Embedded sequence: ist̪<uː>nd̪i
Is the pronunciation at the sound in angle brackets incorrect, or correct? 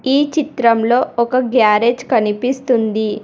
incorrect